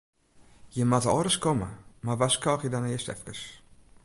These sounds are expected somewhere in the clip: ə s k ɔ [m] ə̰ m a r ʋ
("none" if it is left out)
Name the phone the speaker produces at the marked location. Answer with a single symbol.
m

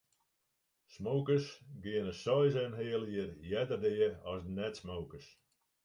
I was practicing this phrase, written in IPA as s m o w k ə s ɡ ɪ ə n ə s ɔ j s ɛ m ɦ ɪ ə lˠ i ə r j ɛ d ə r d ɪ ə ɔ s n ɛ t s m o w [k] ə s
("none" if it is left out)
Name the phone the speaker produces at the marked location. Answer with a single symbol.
k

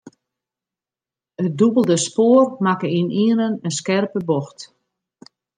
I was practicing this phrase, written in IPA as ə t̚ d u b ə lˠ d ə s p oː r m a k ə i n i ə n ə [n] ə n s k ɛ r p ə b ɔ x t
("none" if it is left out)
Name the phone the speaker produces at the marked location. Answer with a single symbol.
n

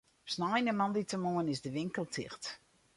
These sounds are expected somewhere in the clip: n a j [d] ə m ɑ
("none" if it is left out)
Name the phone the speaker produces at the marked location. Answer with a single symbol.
n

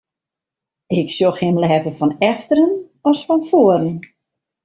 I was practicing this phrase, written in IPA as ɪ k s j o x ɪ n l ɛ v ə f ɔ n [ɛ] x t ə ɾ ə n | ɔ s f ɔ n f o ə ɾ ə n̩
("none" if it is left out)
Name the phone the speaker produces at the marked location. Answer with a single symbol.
ɛ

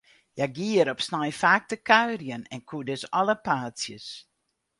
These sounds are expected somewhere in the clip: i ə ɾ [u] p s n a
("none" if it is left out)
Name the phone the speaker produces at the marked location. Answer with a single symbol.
ɔ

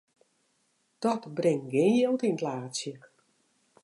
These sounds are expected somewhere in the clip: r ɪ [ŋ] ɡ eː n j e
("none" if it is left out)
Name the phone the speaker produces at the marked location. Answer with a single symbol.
ŋ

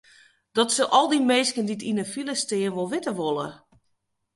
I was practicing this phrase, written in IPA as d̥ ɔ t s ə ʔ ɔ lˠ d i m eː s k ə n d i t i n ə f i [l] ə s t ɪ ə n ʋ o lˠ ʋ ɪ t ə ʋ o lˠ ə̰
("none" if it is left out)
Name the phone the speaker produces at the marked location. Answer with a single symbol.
l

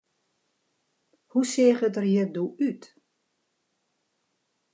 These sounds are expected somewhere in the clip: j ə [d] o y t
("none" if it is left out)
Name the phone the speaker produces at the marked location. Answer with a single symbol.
d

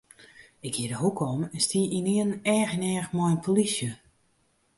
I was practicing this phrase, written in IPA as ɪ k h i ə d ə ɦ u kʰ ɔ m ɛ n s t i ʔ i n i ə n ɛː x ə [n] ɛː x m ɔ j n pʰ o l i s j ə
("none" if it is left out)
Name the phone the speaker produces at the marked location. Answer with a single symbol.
n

